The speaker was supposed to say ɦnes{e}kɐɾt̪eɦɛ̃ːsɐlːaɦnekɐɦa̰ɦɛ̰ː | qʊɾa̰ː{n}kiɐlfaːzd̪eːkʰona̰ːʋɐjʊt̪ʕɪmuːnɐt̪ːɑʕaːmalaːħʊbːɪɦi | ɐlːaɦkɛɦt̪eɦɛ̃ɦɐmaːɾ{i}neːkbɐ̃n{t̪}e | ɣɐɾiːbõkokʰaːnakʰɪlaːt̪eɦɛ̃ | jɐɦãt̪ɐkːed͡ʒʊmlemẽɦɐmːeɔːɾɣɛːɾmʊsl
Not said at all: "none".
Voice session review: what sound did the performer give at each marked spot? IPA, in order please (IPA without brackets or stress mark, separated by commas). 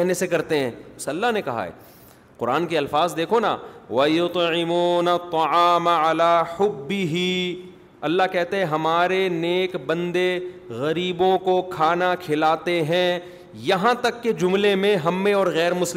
e, n, e, d̪